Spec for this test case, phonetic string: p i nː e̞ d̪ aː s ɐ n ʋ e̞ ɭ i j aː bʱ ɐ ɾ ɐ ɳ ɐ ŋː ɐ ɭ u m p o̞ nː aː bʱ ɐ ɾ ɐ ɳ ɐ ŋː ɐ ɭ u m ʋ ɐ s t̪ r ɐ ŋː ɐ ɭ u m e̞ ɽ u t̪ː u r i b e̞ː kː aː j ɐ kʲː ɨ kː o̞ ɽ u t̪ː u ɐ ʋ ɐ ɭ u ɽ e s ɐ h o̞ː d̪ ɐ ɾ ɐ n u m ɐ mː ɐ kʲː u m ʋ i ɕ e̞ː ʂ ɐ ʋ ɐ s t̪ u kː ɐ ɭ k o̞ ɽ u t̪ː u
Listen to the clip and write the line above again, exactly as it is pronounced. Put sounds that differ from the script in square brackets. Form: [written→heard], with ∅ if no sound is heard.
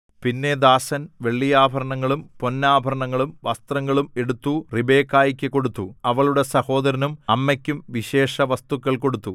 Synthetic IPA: p i nː e̞ d̪ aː s ɐ n ʋ e̞ [ɭ→ɭː] i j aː bʱ ɐ ɾ ɐ ɳ ɐ ŋː ɐ ɭ u m p o̞ nː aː bʱ ɐ ɾ ɐ ɳ ɐ ŋː ɐ ɭ u m ʋ ɐ s t̪ r ɐ ŋː ɐ ɭ u m e̞ ɽ u t̪ː u r i b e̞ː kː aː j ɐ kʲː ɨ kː o̞ ɽ u t̪ː u ɐ ʋ ɐ ɭ u ɽ e s ɐ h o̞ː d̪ ɐ ɾ ɐ n u m ɐ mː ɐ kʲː u m ʋ i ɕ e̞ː ʂ ɐ ʋ ɐ s t̪ u kː ɐ ɭ k o̞ ɽ u t̪ː u